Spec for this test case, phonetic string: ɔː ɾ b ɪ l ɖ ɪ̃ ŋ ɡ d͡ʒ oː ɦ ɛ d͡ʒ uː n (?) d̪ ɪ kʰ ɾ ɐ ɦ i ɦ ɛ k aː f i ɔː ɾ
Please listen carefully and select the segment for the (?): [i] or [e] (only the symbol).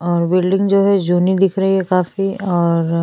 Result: i